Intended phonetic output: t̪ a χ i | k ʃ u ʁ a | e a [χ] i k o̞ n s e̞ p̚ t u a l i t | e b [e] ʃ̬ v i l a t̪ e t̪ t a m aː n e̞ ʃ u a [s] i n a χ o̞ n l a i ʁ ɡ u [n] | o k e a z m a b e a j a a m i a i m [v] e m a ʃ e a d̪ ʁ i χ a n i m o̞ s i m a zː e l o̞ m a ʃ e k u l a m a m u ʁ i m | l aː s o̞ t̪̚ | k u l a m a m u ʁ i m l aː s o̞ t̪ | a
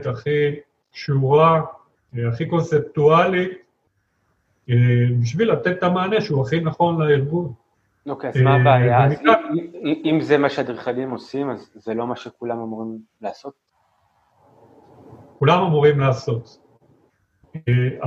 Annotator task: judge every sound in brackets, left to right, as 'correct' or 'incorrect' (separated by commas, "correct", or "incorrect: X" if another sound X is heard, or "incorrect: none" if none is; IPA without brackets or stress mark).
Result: correct, incorrect: i, incorrect: χ, correct, incorrect: z